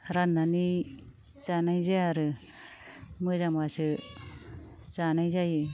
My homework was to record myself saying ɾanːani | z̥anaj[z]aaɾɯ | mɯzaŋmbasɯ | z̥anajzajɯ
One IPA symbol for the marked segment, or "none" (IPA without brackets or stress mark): z